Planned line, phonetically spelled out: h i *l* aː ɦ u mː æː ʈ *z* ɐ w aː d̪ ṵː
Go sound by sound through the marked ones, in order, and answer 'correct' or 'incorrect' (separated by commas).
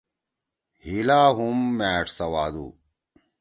correct, incorrect